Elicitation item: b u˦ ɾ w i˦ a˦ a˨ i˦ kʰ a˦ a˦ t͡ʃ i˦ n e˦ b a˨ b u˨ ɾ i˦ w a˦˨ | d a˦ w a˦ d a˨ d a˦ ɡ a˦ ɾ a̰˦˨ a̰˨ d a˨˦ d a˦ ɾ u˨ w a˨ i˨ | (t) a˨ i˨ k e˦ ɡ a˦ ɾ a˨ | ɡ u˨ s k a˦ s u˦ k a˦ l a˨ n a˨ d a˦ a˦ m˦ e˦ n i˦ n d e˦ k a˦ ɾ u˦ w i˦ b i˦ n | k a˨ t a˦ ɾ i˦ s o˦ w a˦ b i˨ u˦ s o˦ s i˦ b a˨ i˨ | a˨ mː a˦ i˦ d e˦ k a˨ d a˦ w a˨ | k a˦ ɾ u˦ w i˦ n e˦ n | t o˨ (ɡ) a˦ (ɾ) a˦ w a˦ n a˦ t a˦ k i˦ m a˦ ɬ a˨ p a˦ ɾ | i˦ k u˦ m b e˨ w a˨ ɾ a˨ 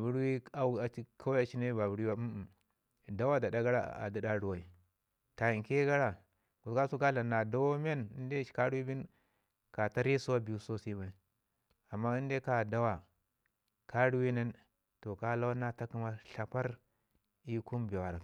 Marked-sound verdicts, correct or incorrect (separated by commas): correct, incorrect, incorrect